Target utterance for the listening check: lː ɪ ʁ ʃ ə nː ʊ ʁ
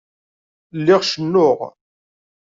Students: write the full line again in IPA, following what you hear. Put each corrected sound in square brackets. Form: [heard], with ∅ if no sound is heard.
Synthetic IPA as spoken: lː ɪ ʁ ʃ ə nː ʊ ʁ